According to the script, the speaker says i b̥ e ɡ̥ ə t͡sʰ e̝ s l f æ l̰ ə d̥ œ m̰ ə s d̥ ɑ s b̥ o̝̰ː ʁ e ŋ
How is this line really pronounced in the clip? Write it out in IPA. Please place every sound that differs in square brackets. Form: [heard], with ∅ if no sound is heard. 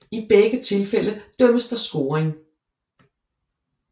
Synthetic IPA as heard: i b̥ e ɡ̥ ə t͡sʰ e̝ [∅] l f [e] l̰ ə d̥ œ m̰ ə s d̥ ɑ s [ɡ̥] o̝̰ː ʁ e ŋ